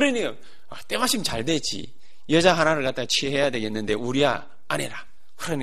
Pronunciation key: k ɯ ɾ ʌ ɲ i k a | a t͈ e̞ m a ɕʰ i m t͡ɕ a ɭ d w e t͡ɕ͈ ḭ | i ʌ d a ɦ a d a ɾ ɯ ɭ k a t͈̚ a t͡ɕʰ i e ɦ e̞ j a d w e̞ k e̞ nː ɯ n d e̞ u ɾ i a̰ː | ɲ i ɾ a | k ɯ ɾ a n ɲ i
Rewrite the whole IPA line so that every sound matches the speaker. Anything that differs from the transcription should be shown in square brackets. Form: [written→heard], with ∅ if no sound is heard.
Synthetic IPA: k ɯ ɾ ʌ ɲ i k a | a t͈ e̞ m a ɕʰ i m t͡ɕ a ɭ d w e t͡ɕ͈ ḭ | [i→j] ʌ [d→d͡ʑ] a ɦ a [d→n] a ɾ ɯ ɭ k a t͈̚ a t͡ɕʰ i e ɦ e̞ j a d w e̞ [k→ɡ] e̞ nː ɯ n d e̞ u ɾ i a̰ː | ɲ i ɾ a | k ɯ ɾ [a→ʌ] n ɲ i